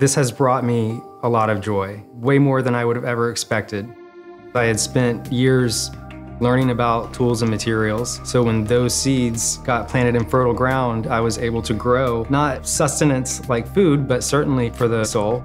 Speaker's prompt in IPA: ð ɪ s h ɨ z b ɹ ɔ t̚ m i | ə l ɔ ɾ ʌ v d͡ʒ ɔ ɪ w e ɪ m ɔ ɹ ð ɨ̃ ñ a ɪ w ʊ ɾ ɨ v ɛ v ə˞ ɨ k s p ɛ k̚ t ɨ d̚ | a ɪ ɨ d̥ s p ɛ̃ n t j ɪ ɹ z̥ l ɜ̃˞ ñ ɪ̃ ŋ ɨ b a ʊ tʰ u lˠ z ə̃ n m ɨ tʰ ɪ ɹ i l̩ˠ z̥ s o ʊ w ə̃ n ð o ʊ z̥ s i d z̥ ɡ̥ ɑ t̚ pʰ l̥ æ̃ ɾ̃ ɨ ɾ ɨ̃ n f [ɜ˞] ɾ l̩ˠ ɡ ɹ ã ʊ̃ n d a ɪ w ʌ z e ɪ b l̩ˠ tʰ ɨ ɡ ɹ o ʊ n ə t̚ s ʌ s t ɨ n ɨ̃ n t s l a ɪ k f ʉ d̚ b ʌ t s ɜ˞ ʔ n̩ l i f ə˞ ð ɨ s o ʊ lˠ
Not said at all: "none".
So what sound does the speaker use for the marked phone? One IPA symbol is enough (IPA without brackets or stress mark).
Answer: ɜ˞